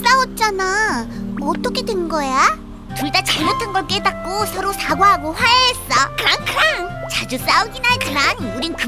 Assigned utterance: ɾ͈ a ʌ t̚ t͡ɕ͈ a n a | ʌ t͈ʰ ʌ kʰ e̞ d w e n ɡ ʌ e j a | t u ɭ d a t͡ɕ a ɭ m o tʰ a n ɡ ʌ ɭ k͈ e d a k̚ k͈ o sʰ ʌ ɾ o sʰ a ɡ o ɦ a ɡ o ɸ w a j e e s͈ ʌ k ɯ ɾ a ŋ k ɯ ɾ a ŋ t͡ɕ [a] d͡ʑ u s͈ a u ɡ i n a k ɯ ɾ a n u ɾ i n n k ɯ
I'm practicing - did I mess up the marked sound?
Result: no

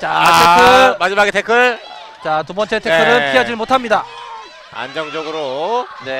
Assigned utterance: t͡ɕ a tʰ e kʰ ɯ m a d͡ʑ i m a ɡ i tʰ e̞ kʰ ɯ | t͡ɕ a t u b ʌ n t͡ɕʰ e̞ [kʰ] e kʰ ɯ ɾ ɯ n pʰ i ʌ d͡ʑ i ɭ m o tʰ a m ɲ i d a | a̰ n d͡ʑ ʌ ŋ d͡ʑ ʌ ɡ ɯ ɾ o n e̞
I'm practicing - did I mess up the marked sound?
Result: yes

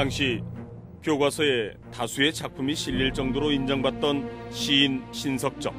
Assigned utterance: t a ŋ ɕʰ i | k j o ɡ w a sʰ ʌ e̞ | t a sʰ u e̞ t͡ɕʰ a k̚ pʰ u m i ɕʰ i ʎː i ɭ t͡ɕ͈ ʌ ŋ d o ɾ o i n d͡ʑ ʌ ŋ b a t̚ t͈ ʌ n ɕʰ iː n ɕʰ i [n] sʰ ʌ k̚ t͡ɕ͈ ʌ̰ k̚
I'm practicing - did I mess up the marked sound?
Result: no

